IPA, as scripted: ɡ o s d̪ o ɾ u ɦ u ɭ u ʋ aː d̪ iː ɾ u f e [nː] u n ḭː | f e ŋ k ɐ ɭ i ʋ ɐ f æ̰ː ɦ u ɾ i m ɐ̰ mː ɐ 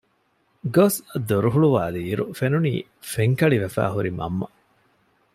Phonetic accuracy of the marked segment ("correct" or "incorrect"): incorrect